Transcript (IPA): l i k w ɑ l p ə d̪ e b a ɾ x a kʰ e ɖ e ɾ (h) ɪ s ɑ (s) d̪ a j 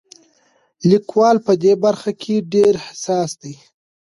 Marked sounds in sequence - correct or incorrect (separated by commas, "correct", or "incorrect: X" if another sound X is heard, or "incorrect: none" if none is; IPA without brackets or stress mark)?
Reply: correct, correct